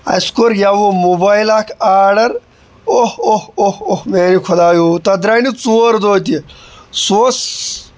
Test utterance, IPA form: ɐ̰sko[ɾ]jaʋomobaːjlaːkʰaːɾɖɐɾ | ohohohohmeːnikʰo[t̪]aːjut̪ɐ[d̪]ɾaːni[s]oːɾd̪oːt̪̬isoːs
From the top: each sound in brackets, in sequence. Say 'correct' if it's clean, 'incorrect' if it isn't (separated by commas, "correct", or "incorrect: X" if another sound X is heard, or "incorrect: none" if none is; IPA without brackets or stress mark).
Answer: correct, incorrect: d̪, correct, incorrect: t͡s